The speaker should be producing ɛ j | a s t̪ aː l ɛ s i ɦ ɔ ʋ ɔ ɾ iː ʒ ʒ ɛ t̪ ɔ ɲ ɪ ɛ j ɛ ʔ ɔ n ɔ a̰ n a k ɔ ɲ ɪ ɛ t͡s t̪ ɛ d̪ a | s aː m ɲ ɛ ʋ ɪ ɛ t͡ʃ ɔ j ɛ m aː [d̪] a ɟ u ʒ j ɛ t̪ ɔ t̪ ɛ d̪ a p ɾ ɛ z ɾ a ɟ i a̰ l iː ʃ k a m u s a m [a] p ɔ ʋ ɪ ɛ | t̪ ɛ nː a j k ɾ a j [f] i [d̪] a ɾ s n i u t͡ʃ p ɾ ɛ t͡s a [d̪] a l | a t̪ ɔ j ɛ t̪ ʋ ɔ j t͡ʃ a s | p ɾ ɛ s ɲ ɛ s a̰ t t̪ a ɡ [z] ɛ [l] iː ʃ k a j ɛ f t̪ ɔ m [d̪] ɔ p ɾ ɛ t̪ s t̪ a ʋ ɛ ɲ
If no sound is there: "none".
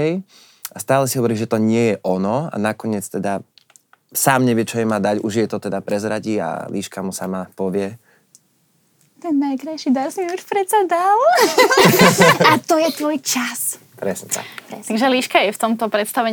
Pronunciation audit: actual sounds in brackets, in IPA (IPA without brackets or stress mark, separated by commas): d̪, a, ʃ, d̪, d̪, ʒ, l, t̪